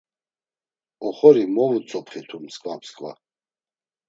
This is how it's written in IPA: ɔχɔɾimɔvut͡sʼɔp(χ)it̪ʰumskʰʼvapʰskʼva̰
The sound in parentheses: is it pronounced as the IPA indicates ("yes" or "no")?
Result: yes